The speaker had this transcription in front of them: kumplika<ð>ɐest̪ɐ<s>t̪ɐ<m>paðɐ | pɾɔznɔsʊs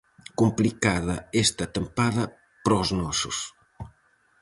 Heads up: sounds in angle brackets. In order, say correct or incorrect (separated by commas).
correct, incorrect, correct